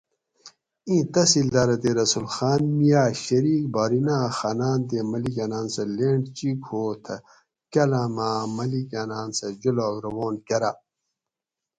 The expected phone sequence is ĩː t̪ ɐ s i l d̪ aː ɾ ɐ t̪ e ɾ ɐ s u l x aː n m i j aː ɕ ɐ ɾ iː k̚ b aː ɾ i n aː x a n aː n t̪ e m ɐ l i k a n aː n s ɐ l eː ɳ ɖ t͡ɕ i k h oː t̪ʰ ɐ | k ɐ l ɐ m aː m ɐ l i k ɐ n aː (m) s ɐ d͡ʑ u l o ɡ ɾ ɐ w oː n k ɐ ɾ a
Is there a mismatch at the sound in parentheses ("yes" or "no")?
yes